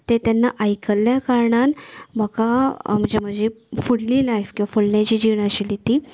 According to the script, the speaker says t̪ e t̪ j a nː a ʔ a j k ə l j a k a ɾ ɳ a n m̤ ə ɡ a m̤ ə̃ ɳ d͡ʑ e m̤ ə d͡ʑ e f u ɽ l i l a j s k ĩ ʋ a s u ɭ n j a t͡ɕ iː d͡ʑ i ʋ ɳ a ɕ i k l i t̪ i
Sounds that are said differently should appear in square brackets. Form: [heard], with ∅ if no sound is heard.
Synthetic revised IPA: t̪ e t̪ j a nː a ʔ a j k ə l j a k a ɾ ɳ a n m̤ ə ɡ a m̤ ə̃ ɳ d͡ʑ e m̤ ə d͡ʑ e f u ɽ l i l a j [f] k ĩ ʋ a [f] u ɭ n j a t͡ɕ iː d͡ʑ i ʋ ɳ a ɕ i [∅] l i t̪ i